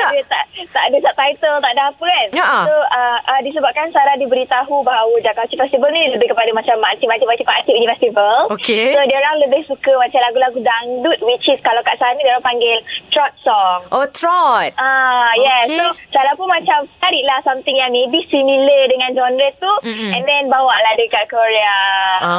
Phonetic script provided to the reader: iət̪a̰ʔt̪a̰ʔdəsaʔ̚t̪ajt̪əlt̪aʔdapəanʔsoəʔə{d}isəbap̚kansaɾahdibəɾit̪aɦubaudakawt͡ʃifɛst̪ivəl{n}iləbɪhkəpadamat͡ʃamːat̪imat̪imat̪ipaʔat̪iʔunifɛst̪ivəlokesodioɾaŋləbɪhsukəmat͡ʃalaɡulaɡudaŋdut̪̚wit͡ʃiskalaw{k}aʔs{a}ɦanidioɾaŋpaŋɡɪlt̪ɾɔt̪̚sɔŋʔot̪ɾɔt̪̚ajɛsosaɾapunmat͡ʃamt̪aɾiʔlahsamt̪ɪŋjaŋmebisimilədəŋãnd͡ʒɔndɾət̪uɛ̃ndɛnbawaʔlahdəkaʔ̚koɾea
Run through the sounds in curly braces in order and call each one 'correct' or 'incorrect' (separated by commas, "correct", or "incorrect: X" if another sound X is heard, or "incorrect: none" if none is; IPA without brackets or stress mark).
correct, correct, correct, correct